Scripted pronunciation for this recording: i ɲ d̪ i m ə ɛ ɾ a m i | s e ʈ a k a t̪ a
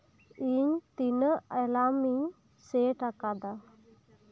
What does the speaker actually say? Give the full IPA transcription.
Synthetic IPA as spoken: i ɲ t̪ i n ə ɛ l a m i | s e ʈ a k a d̪ a